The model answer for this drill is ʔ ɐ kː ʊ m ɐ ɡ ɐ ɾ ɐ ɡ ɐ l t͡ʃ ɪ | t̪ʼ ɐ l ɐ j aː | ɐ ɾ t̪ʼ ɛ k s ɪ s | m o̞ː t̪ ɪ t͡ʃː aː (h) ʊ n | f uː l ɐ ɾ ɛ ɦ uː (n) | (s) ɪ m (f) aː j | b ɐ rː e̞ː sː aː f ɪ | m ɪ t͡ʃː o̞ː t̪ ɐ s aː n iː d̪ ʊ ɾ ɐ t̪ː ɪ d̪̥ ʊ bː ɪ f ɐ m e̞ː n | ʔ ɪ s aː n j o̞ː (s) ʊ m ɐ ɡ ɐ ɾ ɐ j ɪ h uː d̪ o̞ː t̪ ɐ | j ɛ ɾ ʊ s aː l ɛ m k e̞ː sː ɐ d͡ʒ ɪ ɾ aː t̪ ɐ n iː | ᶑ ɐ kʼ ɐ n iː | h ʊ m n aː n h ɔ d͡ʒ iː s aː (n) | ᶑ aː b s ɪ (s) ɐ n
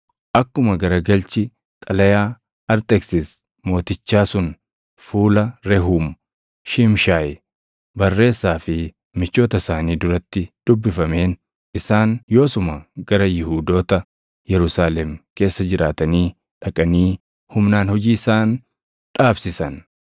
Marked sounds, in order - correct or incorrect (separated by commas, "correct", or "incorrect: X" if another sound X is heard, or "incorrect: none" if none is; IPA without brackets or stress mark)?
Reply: incorrect: s, incorrect: m, incorrect: ʃ, incorrect: ʃ, correct, correct, correct